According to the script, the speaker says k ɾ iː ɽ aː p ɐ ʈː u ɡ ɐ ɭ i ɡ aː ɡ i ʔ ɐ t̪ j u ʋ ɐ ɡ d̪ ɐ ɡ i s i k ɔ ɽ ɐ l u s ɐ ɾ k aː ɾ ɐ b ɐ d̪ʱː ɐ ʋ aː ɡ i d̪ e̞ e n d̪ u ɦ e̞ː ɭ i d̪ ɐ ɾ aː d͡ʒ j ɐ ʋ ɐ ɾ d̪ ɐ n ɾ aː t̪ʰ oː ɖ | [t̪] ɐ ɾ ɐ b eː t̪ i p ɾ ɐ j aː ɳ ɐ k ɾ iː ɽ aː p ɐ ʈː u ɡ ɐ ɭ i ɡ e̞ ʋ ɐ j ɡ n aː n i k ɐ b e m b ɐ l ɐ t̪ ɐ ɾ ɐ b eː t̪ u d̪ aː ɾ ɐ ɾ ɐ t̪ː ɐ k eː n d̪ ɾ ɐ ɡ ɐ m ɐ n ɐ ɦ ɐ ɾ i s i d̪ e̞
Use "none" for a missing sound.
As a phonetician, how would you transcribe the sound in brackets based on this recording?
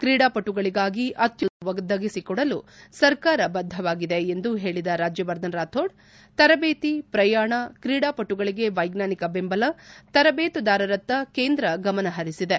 t̪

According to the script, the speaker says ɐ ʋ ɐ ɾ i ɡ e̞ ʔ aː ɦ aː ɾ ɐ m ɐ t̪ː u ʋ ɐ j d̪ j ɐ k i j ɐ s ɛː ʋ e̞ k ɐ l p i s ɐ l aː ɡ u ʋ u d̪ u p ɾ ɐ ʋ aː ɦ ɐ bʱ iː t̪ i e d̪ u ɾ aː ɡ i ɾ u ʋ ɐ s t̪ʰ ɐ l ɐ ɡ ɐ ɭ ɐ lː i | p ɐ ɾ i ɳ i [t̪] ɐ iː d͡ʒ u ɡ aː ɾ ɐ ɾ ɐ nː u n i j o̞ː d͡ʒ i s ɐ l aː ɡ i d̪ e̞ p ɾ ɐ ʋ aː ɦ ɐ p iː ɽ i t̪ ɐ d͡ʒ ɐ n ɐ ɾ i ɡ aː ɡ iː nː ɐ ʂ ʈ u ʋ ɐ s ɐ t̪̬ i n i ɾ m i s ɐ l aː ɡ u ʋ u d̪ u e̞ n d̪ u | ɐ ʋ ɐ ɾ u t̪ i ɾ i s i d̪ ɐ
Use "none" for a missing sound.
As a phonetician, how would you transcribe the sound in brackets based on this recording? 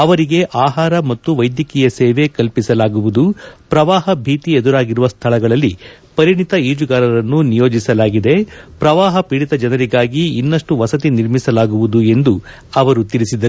t̪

